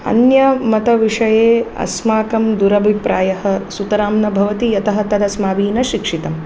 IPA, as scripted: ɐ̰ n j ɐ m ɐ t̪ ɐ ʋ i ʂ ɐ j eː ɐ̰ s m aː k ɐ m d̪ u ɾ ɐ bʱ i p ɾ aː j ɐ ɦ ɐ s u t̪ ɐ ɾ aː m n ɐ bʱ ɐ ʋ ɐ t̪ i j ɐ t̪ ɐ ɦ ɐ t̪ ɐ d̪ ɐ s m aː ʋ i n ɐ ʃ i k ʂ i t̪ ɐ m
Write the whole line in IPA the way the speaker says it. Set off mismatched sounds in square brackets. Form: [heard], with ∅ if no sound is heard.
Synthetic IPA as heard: ɐ̰ n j ɐ m ɐ t̪ ɐ ʋ i ʂ ɐ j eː ɐ̰ s m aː k ɐ m d̪ u ɾ ɐ bʱ i p ɾ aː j ɐ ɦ ɐ s u t̪ ɐ ɾ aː m n ɐ bʱ ɐ ʋ ɐ t̪ i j ɐ t̪ ɐ ɦ ɐ t̪ ɐ d̪ ɐ s m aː ʋ [iː] n ɐ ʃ i k ʂ i t̪ ɐ m